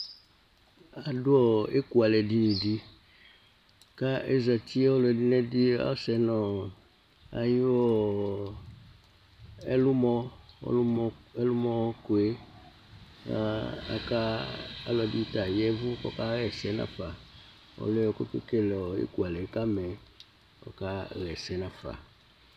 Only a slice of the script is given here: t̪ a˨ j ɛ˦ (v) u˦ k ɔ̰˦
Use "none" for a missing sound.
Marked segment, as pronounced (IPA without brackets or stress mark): v